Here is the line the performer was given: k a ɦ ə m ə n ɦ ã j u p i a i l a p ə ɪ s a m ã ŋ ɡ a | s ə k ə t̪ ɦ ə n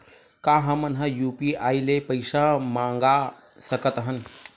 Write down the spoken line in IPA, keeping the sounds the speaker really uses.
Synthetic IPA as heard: k a ɦ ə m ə n ɦ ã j u p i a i l e p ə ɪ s a m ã ŋ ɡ a | s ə k ə t̪ ɦ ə n